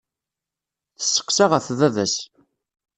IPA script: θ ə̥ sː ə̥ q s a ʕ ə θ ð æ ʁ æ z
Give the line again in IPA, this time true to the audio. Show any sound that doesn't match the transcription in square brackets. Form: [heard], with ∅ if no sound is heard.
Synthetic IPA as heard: θ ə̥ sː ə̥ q s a [ʁ] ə θ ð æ [ð] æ [s]